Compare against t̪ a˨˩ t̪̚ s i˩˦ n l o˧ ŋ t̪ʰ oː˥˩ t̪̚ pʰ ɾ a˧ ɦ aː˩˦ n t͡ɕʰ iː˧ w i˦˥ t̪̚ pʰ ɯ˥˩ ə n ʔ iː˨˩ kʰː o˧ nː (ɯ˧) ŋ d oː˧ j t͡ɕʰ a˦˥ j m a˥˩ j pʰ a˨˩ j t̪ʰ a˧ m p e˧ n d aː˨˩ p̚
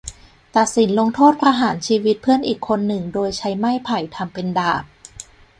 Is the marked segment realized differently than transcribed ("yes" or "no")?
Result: yes